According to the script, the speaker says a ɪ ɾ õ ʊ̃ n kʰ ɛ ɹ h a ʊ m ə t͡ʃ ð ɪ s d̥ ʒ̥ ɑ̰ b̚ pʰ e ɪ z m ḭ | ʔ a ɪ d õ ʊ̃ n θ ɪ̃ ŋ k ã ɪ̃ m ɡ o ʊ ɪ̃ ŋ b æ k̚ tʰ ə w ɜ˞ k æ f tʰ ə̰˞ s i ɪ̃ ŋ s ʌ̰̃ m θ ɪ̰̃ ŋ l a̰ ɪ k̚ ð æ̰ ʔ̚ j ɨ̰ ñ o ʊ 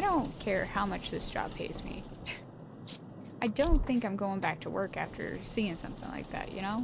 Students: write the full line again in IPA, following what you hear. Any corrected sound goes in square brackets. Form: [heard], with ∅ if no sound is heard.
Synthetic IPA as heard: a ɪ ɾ õ ʊ̃ n kʰ ɛ ɹ h a ʊ m [ʌ] t͡ʃ ð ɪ s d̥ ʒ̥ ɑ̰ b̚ pʰ e ɪ z m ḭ | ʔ a ɪ d õ ʊ̃ n θ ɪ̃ ŋ k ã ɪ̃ m ɡ o ʊ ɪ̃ ŋ b æ k̚ tʰ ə w ɜ˞ k æ f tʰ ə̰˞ s i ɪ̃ ŋ s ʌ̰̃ m θ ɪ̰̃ ŋ l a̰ ɪ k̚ ð æ̰ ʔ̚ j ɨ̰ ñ o ʊ